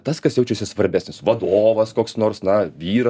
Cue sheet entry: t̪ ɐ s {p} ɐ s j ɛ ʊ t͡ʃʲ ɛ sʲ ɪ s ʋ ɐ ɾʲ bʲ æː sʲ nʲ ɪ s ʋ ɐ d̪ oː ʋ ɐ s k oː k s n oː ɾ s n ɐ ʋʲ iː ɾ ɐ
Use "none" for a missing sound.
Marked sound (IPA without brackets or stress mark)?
k